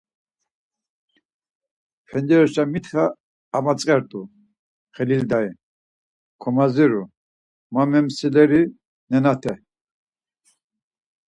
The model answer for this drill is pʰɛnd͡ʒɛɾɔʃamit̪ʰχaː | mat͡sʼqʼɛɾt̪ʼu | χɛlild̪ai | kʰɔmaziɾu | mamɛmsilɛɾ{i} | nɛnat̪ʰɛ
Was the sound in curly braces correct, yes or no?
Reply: yes